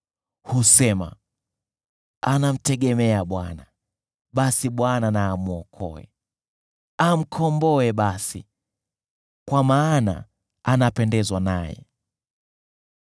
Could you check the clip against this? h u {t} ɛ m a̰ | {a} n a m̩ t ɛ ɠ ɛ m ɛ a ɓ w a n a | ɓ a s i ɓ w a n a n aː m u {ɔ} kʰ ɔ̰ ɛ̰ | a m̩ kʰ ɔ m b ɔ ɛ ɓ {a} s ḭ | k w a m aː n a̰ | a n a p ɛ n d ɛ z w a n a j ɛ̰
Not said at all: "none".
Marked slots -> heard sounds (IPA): s, a, ɔ, a

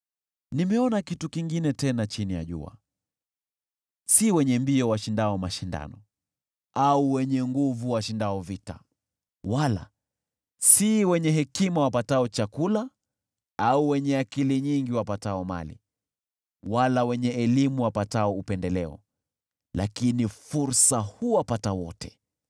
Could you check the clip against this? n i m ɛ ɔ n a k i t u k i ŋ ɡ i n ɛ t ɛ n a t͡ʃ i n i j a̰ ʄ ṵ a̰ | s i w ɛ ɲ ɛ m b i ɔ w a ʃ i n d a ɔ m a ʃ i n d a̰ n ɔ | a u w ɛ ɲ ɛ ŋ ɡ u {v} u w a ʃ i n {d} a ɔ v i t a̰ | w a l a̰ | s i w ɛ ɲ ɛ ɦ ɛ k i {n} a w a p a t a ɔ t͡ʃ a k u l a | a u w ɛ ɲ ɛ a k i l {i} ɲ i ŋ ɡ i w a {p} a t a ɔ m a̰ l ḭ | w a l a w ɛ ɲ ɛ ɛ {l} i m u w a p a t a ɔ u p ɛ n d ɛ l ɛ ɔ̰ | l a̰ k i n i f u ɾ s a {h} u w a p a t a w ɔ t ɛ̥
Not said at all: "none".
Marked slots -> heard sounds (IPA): v, d, m, i, p, l, h

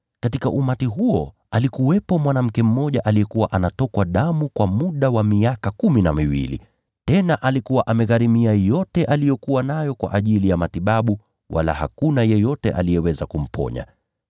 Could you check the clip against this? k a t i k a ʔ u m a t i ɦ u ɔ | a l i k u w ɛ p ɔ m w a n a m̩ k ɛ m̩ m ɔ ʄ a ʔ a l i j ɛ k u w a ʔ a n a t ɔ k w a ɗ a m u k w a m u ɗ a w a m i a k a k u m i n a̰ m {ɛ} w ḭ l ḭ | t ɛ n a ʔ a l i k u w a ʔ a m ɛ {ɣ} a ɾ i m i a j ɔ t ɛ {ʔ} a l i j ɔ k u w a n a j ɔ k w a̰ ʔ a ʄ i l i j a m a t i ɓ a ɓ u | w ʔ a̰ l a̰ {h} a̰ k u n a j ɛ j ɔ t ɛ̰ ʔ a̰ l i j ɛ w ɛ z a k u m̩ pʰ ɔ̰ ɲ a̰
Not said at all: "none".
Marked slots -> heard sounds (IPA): i, ɣ, ʔ, h

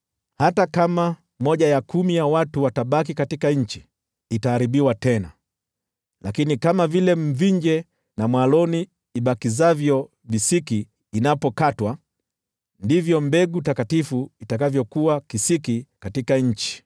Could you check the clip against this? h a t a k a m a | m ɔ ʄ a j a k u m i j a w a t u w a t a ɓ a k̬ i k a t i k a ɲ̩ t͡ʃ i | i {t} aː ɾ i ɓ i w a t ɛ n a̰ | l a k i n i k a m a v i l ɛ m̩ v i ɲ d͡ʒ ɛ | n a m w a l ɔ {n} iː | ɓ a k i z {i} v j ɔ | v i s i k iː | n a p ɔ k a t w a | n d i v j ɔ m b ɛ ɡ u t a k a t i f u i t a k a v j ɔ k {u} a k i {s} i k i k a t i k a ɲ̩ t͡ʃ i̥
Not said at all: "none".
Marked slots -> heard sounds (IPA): t, n, a, u, s

